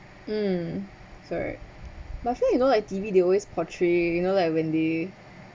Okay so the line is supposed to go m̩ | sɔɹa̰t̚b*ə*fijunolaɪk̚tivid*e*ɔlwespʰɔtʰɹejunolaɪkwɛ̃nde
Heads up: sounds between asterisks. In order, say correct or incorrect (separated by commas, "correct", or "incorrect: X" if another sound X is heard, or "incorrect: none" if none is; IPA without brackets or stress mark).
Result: incorrect: a, correct